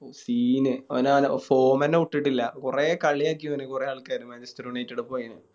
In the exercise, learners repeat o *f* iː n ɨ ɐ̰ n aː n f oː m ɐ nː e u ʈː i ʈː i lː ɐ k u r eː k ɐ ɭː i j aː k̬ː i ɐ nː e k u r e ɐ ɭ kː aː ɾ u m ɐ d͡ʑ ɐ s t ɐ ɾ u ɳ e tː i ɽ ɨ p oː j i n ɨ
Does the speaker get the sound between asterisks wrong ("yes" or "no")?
yes